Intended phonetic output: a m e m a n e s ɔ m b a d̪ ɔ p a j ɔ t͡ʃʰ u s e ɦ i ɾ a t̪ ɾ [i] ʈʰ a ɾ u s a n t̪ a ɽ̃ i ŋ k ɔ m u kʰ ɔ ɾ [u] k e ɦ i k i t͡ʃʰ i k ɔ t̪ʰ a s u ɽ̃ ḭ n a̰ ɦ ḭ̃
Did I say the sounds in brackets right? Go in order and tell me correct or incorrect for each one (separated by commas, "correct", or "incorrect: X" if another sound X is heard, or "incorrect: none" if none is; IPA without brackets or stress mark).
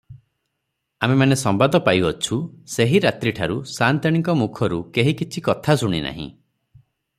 correct, correct